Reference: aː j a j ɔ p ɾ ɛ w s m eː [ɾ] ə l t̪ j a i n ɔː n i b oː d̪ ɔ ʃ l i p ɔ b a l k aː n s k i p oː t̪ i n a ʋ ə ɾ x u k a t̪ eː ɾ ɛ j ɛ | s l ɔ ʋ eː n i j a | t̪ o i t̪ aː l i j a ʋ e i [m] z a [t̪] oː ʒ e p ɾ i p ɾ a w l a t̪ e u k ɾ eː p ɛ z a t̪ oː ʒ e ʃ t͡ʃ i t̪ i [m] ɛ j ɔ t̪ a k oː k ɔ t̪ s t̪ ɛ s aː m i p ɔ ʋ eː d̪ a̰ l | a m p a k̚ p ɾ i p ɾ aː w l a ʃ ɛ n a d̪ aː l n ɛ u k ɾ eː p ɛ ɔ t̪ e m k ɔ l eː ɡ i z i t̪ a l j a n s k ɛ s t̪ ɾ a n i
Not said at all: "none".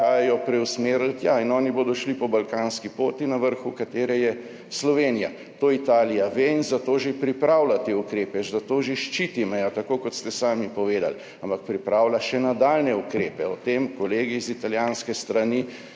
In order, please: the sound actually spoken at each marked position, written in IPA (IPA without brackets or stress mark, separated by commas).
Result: ɾ, n, t̪, m